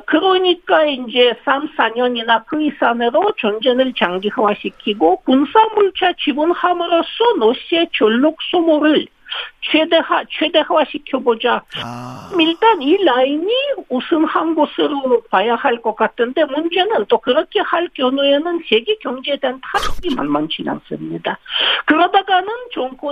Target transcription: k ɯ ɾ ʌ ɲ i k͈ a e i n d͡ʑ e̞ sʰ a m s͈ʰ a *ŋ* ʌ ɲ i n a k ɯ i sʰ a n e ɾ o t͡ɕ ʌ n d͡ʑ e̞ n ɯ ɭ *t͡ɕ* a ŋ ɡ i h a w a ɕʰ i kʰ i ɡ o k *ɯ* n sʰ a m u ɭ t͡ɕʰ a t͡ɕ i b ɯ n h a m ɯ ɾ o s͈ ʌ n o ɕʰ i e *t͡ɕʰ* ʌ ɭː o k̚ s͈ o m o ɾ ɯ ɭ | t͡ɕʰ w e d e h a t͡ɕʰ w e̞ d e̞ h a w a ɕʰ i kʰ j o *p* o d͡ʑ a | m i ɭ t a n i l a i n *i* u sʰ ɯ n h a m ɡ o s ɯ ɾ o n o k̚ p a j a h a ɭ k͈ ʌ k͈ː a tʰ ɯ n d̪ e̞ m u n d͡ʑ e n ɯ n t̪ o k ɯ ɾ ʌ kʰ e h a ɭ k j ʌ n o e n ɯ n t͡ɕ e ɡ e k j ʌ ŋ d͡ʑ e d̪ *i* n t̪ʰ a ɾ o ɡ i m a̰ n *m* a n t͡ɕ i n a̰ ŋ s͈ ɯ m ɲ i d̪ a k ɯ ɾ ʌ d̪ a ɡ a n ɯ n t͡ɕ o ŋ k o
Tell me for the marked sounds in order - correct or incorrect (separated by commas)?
incorrect, correct, incorrect, incorrect, incorrect, correct, incorrect, correct